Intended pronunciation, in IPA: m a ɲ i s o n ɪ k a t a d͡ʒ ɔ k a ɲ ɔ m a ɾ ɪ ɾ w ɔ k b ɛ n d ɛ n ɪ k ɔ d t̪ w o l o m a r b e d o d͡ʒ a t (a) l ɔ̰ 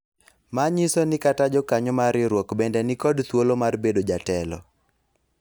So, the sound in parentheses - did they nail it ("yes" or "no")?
no